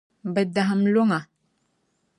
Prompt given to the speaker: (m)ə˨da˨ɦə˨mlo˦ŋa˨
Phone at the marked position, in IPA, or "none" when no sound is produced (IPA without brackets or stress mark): b